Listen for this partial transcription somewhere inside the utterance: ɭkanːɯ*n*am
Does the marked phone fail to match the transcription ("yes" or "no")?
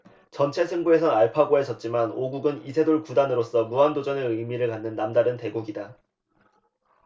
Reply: yes